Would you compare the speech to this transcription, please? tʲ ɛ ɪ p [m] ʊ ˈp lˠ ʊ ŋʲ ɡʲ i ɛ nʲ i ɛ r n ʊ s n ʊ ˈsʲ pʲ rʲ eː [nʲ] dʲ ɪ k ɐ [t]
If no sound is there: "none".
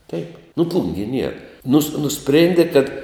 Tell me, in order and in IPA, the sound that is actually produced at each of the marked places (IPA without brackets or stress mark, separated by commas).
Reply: n, nʲ, t